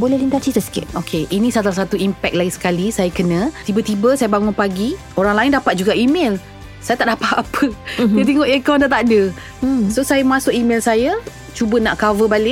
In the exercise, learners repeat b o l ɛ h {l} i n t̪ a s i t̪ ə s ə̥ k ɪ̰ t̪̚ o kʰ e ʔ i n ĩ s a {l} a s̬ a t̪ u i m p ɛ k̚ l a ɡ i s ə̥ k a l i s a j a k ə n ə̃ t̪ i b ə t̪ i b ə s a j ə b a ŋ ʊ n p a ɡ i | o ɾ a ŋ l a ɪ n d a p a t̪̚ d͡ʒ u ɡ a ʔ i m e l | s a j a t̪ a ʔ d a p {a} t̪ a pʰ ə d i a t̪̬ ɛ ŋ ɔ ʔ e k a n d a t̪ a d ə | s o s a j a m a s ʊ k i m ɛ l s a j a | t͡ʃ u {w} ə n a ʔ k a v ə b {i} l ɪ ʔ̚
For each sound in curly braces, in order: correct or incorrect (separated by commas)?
correct, correct, correct, incorrect, incorrect